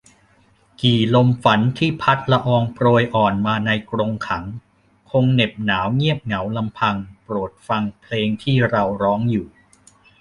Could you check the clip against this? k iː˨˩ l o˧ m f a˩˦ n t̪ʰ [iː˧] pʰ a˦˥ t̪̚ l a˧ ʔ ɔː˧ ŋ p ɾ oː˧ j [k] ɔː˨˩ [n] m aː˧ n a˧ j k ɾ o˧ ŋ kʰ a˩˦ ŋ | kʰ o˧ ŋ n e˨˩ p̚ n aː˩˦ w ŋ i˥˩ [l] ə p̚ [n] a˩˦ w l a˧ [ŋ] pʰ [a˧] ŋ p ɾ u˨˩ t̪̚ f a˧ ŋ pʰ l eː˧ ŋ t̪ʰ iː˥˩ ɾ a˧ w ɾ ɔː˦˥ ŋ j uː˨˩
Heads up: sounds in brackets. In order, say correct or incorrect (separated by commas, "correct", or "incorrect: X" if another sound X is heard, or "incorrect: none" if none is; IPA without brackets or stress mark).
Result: incorrect: iː˥˩, incorrect: ʔ, correct, incorrect: none, incorrect: ŋ, incorrect: m, correct